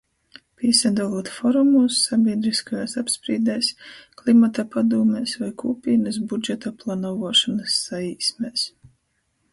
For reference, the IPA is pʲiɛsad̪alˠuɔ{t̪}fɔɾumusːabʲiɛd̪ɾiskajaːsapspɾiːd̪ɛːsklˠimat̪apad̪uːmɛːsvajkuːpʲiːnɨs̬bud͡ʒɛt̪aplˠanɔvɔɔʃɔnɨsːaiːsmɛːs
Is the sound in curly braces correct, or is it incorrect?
correct